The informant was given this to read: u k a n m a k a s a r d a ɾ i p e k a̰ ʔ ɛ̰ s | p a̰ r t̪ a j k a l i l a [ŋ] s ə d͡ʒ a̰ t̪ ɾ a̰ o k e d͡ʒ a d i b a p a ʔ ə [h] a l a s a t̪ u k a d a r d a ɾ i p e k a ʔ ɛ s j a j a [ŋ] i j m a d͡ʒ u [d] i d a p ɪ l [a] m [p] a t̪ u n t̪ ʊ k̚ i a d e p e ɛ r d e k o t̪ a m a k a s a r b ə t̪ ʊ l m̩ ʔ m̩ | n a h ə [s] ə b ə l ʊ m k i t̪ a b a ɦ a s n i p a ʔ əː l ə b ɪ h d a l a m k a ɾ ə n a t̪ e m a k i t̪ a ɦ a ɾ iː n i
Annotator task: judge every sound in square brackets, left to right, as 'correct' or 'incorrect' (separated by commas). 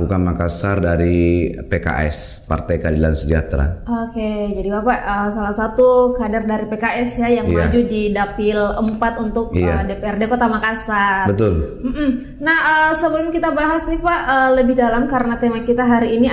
incorrect, incorrect, correct, correct, incorrect, correct, correct